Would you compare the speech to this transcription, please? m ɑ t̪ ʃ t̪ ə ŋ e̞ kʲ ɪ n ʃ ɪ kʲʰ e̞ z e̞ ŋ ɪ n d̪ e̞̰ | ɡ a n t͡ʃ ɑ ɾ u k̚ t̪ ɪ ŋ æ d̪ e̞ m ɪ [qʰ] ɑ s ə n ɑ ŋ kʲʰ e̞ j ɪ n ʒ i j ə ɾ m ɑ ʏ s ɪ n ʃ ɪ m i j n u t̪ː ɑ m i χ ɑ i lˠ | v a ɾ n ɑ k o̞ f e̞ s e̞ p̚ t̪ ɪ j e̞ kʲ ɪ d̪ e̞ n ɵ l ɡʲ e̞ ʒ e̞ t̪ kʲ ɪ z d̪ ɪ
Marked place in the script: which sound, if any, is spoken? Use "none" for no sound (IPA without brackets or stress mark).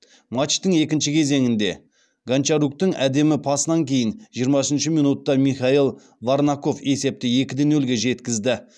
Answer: pʰ